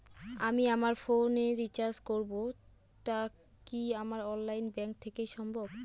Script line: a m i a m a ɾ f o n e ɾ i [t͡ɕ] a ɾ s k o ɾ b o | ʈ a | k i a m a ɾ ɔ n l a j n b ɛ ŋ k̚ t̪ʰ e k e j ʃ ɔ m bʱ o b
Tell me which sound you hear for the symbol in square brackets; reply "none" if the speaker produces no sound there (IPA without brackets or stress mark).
t͡ɕ